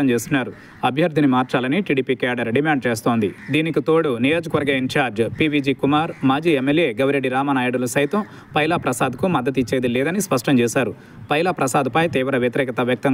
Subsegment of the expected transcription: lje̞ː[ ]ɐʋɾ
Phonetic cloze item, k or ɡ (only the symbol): ɡ